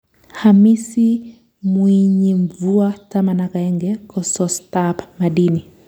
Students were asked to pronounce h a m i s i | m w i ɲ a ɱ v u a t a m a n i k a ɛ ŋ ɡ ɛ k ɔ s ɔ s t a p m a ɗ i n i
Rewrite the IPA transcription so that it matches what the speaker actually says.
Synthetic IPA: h a m i s i | m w i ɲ i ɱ v u a t a m a n a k a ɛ ŋ ɡ ɛ k ɔ s ɔ s t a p m a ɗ i n i